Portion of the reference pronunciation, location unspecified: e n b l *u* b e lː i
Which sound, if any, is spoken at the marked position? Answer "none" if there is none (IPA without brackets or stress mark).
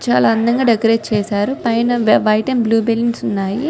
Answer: uː